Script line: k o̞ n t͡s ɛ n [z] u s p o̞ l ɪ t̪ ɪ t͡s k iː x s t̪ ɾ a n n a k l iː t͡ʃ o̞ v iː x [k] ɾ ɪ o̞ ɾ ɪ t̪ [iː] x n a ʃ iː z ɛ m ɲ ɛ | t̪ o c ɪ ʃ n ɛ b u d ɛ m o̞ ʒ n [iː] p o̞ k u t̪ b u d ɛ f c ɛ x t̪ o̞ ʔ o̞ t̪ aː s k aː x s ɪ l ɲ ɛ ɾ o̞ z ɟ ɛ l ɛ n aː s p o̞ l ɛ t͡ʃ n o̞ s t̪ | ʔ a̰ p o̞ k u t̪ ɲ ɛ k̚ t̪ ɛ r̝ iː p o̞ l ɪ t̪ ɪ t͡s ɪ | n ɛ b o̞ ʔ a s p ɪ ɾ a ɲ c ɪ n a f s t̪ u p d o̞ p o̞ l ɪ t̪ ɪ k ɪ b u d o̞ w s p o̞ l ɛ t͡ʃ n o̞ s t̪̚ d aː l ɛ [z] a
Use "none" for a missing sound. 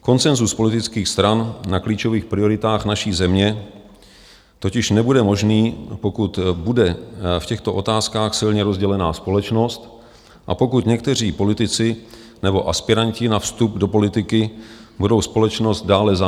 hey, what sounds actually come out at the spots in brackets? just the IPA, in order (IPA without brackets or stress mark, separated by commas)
z, p, aː, iː, z